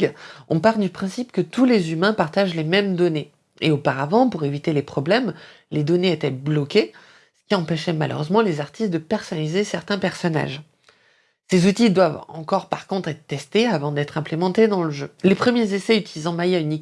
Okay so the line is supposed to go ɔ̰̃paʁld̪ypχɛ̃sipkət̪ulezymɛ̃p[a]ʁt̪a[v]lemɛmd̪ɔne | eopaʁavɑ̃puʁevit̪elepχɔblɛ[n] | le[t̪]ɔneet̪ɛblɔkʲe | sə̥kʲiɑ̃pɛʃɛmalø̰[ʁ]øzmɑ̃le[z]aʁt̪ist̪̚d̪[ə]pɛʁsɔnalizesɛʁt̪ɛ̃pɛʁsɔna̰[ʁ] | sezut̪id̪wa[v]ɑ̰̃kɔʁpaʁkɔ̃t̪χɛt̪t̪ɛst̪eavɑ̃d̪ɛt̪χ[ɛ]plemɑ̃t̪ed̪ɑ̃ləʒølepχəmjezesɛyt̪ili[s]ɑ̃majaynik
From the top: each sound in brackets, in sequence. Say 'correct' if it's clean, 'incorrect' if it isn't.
correct, incorrect: ʒ, incorrect: m, incorrect: d̪, correct, correct, correct, incorrect: ʒ, correct, incorrect: ɛ̃, incorrect: z

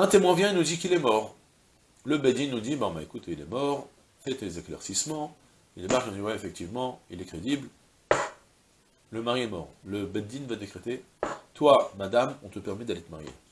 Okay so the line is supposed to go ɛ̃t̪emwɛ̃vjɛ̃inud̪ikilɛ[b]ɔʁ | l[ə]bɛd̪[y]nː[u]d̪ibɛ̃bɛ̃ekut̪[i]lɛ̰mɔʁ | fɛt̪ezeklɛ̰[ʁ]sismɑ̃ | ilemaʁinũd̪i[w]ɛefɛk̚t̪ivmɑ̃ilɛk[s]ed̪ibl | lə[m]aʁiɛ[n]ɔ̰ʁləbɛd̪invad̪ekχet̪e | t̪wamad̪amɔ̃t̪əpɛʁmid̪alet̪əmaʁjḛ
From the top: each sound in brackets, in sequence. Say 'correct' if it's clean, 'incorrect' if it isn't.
incorrect: m, correct, incorrect: i, correct, correct, correct, correct, incorrect: χ, correct, incorrect: m

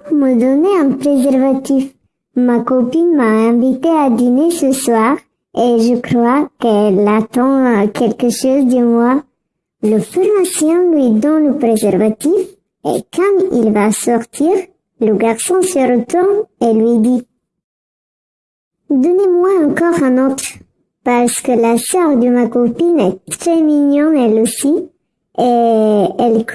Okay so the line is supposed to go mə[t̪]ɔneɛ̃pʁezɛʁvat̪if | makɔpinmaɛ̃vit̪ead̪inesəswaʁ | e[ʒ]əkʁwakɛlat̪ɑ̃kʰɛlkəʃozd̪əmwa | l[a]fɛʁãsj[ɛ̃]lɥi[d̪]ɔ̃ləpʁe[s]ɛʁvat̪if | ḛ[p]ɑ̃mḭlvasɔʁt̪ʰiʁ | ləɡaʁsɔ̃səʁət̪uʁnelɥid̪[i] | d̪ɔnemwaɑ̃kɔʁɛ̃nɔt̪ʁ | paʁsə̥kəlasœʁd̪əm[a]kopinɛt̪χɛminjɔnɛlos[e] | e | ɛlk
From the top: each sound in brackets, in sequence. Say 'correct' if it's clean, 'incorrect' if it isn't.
incorrect: d̪, correct, incorrect: ə, correct, correct, incorrect: z, incorrect: k, correct, correct, incorrect: i

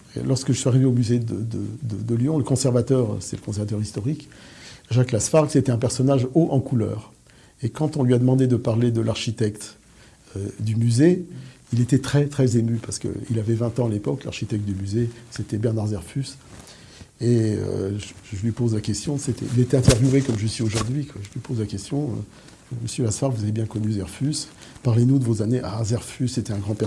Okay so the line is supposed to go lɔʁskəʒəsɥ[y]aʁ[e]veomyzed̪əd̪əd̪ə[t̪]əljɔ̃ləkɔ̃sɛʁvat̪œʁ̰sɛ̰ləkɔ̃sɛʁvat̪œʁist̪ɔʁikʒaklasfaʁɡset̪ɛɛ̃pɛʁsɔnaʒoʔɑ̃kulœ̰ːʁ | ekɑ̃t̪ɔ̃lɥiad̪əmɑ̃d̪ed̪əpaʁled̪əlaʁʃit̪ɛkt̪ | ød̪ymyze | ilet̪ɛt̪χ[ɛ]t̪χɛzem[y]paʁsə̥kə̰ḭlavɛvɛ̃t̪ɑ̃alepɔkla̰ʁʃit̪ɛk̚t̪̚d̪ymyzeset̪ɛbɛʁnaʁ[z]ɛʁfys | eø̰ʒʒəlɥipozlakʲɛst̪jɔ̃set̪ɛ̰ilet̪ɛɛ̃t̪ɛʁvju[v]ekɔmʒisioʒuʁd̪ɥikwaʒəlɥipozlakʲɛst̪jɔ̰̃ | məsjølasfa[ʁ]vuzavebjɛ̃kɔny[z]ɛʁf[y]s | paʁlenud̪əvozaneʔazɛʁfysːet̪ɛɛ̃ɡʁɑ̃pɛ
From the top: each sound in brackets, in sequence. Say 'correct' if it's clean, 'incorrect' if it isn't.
incorrect: i, incorrect: i, incorrect: d̪, correct, correct, correct, correct, correct, correct, correct

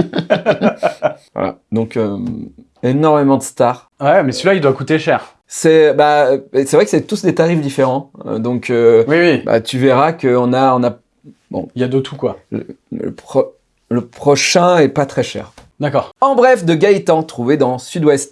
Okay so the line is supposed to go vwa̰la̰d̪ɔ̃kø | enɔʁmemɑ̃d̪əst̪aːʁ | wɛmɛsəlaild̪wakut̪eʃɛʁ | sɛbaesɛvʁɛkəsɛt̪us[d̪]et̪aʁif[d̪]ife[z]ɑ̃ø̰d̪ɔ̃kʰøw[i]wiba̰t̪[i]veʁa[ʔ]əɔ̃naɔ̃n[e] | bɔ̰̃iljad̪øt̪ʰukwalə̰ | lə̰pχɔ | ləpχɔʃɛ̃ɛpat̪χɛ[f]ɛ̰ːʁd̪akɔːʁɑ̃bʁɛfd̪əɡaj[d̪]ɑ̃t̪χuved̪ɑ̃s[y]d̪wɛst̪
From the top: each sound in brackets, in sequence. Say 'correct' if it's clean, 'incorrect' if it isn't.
correct, correct, incorrect: ʁ, correct, incorrect: y, incorrect: k, incorrect: a, incorrect: ʃ, incorrect: t̪, correct

